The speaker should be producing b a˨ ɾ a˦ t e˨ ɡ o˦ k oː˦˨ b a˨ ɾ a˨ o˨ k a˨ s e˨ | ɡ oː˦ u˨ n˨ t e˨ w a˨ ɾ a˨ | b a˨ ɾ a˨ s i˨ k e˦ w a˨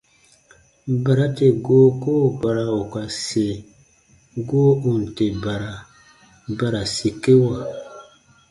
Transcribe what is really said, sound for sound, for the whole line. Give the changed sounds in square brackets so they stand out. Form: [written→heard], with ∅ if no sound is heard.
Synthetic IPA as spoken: b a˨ ɾ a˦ t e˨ ɡ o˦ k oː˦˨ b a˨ ɾ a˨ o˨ k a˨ s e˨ | ɡ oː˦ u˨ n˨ t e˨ [w→b] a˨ ɾ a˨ | b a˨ ɾ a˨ s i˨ k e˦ w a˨